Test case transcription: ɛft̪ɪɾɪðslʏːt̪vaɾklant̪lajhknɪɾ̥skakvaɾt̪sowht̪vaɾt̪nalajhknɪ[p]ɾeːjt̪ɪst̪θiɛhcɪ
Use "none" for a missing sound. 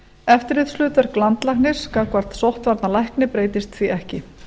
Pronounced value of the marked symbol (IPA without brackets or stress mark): p